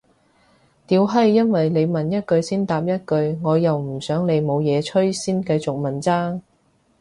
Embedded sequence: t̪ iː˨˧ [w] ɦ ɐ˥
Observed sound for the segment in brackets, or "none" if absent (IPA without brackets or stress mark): w